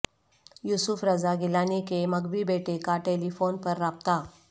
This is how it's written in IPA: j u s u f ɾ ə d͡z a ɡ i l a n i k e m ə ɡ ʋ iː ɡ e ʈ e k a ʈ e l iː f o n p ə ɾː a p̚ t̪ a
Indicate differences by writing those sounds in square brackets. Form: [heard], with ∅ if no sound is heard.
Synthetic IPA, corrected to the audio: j u s u f ɾ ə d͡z a ɡ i l a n i k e m ə ɡ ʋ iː [b] e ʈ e k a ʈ e l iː f o n p ə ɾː a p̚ t̪ a